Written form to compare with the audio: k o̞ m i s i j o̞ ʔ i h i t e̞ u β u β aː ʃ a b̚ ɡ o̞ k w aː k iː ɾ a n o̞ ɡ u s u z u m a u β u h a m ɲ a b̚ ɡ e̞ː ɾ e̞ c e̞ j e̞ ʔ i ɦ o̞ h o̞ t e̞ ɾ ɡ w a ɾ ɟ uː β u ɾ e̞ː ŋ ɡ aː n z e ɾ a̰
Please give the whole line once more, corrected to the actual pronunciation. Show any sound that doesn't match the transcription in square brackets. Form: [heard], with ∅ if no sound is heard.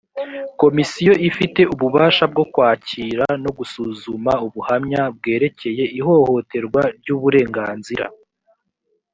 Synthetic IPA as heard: k o̞ m i s i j o̞ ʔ i [f] i t e̞ u β u β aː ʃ a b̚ ɡ o̞ k w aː [c] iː ɾ a n o̞ ɡ u s u z u m a u β u h a m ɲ a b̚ ɡ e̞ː ɾ e̞ c e̞ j e̞ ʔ i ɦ o̞ h o̞ t e̞ ɾ ɡ w a ɾ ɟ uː β u ɾ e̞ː ŋ ɡ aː n z [i] ɾ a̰